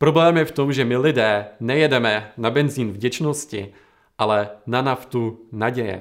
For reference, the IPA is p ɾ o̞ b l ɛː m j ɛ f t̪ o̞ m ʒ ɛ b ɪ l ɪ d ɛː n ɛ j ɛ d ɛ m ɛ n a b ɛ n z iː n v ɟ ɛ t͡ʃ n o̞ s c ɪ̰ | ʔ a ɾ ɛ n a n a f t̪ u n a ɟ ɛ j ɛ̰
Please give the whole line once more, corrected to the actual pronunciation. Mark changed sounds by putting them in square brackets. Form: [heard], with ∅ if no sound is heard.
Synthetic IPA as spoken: p ɾ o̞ b l ɛː m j ɛ f t̪ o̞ m ʒ ɛ [m] ɪ l ɪ d ɛː n ɛ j ɛ d ɛ m ɛ n a b ɛ n z iː n v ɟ ɛ t͡ʃ n o̞ s c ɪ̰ | ʔ a [l] ɛ n a n a f t̪ u n a ɟ ɛ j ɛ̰